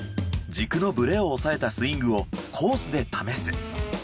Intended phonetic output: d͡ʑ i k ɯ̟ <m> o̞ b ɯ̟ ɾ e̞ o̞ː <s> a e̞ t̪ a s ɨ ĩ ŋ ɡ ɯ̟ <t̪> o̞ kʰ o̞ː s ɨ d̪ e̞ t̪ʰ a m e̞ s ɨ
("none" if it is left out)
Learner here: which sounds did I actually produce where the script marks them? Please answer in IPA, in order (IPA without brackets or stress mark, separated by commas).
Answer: n, s, none